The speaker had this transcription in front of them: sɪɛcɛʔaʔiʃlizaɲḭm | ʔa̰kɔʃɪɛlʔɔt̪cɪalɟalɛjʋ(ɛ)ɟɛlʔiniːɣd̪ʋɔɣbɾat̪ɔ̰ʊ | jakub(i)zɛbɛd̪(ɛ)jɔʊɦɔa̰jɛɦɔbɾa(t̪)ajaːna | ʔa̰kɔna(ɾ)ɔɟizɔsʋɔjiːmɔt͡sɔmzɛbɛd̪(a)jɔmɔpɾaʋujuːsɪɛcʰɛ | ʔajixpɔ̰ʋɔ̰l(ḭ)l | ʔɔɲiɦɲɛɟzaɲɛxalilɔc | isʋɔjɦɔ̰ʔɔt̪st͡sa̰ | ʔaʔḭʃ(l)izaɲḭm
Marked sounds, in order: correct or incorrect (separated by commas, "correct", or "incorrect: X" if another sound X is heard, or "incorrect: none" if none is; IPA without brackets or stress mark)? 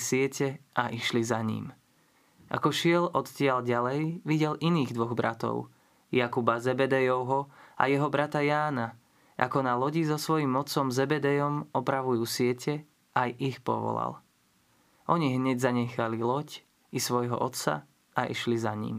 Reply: incorrect: i, incorrect: a, correct, correct, incorrect: l, incorrect: ɛ, incorrect: a̰, correct